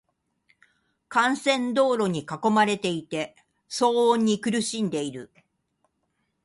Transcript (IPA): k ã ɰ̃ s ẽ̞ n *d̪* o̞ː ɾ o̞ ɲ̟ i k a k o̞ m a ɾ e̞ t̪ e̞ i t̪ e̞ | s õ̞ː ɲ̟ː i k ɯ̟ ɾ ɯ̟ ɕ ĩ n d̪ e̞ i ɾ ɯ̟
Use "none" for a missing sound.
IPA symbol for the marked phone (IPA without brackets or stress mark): d̪